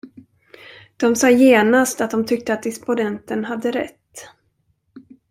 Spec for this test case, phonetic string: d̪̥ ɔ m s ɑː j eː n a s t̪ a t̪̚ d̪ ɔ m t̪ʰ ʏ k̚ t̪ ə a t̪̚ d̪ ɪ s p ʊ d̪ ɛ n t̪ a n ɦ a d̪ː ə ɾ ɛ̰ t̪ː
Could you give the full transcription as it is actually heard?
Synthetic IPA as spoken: d̪̥ ɔ m s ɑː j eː n a s t̪ a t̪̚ d̪ ɔ m t̪ʰ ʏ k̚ t̪ ə a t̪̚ d̪ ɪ s p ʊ d̪ ɛ n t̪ ə n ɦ a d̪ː ə ɾ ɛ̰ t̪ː